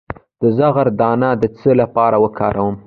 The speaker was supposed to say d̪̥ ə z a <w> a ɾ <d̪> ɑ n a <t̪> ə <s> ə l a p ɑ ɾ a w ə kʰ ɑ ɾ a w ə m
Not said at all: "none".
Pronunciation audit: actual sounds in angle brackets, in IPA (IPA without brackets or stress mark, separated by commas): ɣ, d̪, d̪, t͡s